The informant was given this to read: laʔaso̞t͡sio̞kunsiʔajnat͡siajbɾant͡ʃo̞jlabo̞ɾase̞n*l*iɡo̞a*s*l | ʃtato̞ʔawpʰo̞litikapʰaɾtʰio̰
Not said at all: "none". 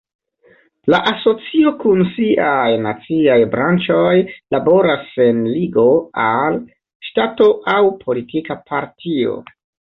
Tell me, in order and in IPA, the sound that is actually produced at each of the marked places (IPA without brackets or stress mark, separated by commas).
l, none